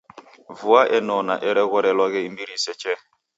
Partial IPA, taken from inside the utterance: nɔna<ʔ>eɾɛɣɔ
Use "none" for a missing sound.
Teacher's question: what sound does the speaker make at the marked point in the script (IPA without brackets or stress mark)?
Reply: ʔ